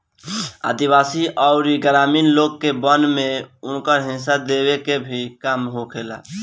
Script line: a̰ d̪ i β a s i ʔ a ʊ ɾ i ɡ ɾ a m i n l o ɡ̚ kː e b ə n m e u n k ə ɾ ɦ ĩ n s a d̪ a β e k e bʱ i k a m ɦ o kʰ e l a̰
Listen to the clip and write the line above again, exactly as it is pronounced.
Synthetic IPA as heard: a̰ d̪ i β a s i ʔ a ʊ ɾ i ɡ ɾ a m i n l o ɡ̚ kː e b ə n m e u n k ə ɾ ɦ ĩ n s a d̪ e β e k e bʱ i k a m ɦ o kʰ e l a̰